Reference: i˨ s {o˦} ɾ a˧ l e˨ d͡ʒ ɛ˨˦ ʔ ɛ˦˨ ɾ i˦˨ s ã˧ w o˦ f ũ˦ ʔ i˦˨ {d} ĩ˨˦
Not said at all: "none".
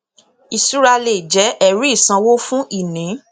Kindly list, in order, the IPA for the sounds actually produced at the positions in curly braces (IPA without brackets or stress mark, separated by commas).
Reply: u˦, n